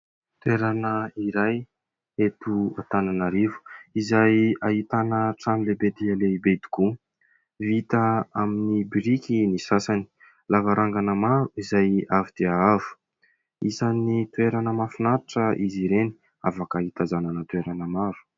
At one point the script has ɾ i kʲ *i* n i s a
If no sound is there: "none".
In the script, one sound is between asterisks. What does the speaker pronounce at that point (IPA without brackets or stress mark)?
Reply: i